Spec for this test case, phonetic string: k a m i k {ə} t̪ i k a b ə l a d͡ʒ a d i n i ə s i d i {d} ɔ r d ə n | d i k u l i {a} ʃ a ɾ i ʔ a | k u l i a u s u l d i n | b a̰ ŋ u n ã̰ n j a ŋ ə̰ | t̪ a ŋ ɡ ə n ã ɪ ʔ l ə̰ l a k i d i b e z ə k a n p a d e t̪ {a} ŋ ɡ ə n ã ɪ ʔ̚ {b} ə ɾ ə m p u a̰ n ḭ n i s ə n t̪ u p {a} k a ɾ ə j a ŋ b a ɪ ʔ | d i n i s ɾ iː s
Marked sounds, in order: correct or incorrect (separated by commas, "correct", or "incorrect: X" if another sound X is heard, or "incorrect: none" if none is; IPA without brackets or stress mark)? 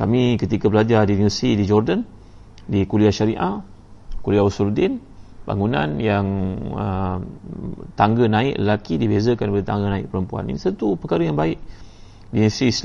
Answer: correct, incorrect: d͡ʒ, correct, correct, incorrect: p, incorrect: ə